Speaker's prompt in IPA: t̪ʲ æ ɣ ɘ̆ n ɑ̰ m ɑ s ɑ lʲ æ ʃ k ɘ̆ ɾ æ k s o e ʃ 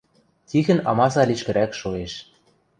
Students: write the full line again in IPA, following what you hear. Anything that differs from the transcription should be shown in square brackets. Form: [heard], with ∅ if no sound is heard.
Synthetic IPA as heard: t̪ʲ [i] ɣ ɘ̆ n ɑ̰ m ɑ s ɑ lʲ [i] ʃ k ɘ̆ ɾ æ k [ʃ] o e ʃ